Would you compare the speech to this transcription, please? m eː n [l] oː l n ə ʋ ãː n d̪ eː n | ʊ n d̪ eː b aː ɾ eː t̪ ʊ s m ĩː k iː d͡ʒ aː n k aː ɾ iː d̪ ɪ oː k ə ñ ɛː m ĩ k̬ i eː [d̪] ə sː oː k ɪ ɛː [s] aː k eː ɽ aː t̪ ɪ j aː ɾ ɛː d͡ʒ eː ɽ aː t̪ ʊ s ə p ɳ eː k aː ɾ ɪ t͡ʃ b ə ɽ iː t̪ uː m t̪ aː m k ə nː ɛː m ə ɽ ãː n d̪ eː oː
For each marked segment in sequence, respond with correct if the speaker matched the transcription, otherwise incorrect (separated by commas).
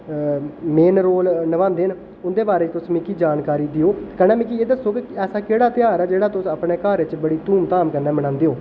incorrect, correct, correct